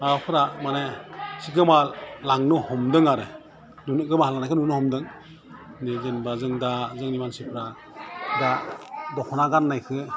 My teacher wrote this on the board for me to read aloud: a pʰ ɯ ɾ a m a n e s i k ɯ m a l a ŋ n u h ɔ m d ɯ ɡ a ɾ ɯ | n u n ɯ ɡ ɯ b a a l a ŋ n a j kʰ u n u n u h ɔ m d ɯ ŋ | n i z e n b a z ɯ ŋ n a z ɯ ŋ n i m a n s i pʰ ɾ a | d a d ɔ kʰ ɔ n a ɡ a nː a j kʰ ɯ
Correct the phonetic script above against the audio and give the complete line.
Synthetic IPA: a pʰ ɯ ɾ a m a n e s i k ɯ m a l a ŋ n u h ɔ m d ɯ ŋ a ɾ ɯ | n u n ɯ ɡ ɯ m a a l a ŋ n a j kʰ ɯ n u n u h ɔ m d ɯ ŋ | n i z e n b a z ɯ ŋ d a z ɯ ŋ n i m a n s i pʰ ɾ a | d a d ɔ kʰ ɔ n a ɡ a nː a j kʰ ɯ